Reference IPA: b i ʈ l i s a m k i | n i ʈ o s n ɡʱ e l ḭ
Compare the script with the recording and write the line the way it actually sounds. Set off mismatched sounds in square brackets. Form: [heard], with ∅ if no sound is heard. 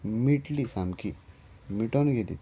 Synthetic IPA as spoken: [m] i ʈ l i s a m k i | [m] i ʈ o [∅] n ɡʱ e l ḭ